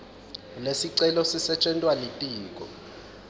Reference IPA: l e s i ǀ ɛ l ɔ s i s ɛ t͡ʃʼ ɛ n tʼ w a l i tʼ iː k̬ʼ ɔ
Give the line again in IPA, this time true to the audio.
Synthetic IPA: l e s i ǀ ɛ l ɔ s i s ɛ t͡ʃʼ ɛ n tʼ w a l i tʼ iː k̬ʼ ɔ